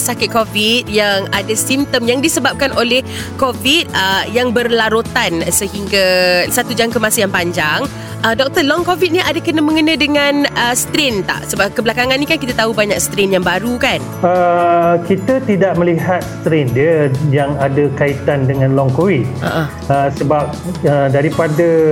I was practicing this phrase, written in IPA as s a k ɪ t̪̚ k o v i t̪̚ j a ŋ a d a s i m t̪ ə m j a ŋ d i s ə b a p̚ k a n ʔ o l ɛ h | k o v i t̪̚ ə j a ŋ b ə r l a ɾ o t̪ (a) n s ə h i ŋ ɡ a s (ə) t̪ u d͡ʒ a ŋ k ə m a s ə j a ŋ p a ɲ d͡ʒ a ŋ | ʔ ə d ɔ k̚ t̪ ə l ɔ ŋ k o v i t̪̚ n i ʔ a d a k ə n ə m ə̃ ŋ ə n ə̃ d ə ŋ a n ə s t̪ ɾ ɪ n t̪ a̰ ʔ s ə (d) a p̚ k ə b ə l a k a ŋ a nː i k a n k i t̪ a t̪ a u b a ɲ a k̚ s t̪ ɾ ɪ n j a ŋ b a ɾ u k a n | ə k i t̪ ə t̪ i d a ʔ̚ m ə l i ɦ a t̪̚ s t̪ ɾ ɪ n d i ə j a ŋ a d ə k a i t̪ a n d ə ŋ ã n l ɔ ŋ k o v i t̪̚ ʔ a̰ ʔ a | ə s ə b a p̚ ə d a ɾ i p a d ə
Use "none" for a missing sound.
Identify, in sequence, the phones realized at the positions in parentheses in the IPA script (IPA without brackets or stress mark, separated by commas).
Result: a, a, b